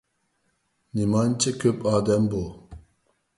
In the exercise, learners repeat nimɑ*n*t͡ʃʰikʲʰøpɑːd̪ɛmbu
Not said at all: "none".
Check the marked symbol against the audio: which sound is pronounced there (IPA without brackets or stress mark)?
n